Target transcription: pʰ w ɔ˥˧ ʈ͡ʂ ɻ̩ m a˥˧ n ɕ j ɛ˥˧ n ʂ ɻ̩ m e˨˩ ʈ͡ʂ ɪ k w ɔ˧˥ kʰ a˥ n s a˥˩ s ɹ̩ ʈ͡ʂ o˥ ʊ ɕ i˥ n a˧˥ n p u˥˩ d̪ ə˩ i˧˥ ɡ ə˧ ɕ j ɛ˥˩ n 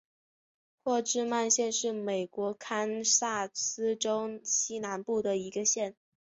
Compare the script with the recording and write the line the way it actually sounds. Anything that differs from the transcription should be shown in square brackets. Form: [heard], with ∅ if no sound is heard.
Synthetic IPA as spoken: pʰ w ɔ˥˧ ʈ͡ʂ ɻ̩ m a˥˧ n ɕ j ɛ˥˧ n ʂ ɻ̩ m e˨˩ [∅] ɪ k w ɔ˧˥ kʰ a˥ n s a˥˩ s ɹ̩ ʈ͡ʂ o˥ ʊ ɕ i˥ n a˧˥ n p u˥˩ d̪ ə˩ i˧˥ ɡ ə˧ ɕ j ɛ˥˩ n